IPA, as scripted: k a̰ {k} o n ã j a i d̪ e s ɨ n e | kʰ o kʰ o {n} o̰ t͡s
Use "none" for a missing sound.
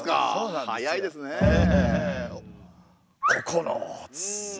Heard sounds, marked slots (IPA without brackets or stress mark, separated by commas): none, n